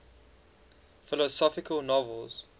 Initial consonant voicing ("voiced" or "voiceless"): voiceless